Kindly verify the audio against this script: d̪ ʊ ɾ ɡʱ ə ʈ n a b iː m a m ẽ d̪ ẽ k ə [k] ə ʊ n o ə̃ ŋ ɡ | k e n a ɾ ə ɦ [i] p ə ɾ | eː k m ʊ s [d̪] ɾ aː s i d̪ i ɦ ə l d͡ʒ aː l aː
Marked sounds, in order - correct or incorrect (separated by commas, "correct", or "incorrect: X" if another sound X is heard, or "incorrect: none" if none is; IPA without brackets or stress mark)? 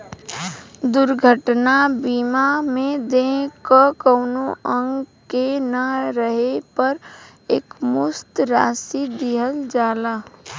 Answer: correct, incorrect: e, incorrect: t̪